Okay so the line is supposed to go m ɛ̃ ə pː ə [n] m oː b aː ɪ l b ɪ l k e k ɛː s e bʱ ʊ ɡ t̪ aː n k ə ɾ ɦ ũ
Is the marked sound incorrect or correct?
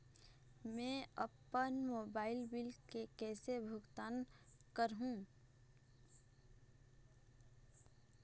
correct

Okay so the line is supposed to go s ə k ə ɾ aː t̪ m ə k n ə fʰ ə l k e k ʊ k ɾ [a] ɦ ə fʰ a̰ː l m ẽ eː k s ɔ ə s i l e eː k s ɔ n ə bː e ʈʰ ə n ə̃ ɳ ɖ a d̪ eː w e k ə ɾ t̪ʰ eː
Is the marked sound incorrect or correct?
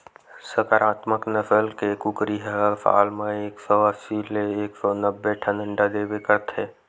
incorrect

